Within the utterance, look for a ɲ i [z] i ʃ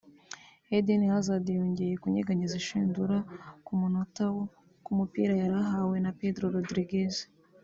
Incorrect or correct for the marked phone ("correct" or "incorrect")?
correct